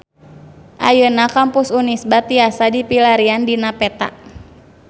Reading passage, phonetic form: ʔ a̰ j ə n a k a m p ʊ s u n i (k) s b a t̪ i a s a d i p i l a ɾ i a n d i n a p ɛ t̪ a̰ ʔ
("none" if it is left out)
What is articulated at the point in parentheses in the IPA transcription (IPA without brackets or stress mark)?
none